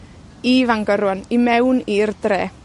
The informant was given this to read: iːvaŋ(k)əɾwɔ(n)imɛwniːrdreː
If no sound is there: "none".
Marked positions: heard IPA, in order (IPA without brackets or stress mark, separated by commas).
ɡ, n